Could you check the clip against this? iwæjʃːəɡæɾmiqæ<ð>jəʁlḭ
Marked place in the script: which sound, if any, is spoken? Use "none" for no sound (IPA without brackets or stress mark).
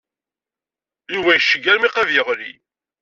v